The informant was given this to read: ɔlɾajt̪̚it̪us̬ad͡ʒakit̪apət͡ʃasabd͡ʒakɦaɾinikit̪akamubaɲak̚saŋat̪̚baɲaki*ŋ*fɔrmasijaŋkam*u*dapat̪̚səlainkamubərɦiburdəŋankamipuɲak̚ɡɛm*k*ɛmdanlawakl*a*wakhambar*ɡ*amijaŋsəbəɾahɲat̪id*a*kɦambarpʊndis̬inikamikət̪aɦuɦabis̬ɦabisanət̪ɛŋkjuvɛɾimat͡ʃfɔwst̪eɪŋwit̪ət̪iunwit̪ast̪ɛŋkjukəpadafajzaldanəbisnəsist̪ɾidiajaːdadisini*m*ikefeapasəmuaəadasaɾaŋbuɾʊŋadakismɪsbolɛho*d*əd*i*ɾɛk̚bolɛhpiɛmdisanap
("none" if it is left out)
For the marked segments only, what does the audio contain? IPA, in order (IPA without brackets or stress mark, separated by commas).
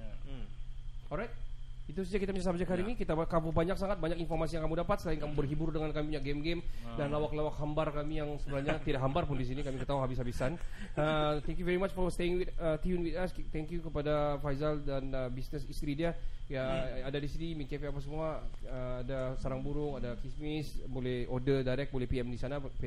n, u, ɡ, a, k, a, m, d, a